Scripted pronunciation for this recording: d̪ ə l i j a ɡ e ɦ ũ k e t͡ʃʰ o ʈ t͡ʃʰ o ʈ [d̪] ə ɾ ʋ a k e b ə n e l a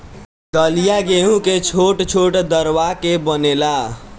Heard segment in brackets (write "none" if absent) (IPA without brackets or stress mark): d̪